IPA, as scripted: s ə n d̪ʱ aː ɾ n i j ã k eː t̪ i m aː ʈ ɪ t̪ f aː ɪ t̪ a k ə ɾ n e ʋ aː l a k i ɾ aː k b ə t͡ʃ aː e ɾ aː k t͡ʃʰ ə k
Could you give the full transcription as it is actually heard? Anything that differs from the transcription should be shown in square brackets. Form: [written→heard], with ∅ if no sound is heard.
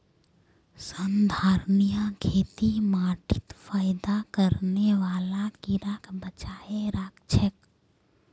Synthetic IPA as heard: s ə n d̪ʱ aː ɾ n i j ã [k→kʰ] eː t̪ i m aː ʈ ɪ t̪ f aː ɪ [t̪→d̪] a k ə ɾ n e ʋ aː l a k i ɾ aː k b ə t͡ʃ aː e ɾ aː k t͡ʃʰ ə k